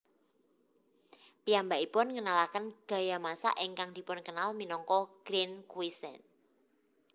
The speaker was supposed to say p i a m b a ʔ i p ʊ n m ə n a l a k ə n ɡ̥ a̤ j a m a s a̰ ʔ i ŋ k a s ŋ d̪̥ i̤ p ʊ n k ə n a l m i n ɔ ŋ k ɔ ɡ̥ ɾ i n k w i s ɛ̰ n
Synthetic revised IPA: p i a m b a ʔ i p ʊ n ŋ ə n a l a k ə n ɡ̥ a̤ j a m a s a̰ ʔ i ŋ k a ŋ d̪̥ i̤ p ʊ n k ə n a l m i n ɔ ŋ k ɔ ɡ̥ ɾ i n k w i s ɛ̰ n